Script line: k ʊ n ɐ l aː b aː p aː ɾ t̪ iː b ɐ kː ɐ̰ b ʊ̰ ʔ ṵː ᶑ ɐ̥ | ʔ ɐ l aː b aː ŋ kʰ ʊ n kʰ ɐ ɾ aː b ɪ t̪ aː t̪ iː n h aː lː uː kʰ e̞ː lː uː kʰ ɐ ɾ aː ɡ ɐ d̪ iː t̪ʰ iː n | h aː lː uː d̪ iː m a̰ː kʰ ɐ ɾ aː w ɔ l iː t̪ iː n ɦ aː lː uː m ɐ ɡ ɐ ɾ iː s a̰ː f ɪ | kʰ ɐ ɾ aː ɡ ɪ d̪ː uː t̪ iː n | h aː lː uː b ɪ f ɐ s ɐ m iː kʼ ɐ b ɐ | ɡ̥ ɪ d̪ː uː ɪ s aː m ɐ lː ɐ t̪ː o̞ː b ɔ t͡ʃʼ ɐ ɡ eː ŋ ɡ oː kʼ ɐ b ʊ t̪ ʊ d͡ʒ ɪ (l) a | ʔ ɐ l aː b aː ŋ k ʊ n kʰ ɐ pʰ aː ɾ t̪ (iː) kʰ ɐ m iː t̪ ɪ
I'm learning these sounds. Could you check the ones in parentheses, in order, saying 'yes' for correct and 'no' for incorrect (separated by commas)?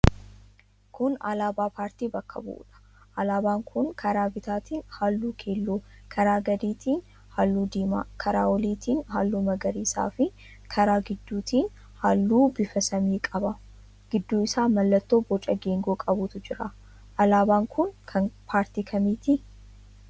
no, yes